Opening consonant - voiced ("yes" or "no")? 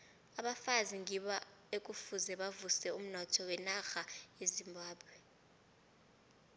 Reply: yes